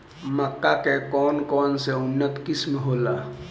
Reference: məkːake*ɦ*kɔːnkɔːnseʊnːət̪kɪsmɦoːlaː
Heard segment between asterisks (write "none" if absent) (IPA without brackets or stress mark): none